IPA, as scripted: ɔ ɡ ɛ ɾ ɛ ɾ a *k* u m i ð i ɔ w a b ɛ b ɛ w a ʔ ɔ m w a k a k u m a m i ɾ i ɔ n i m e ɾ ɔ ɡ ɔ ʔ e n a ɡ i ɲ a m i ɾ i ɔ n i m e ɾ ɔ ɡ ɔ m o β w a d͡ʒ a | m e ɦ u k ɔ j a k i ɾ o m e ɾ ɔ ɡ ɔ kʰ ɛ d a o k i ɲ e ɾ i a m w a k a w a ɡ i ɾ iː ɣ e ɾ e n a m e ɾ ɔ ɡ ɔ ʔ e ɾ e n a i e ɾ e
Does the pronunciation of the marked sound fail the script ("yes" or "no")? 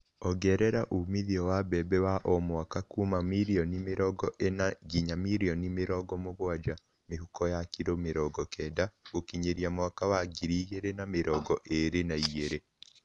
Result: yes